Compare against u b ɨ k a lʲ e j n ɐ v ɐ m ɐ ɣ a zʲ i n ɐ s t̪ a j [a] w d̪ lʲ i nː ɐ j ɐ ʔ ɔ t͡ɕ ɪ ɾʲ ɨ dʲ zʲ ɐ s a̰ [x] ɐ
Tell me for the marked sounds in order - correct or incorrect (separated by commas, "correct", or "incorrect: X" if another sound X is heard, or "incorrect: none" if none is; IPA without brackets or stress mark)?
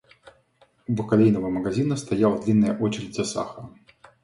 correct, correct